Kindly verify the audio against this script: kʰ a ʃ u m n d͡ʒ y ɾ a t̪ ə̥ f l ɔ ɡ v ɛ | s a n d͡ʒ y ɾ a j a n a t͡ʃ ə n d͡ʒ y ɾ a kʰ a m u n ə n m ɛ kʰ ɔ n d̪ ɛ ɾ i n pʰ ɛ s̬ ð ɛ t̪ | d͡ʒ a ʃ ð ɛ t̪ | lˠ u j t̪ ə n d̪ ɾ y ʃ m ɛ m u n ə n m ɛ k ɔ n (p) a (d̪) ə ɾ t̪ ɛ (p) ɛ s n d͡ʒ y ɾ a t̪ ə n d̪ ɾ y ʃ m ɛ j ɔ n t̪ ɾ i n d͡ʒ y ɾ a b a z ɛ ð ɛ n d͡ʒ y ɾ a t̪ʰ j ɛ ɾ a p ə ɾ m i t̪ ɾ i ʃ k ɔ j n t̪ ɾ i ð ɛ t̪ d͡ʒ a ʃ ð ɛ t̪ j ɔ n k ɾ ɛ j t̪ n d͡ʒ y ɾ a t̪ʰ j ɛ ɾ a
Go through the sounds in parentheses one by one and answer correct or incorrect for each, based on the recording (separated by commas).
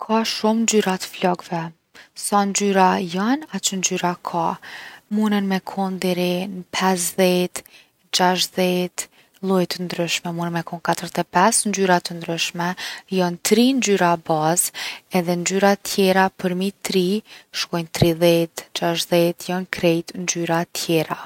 incorrect, incorrect, correct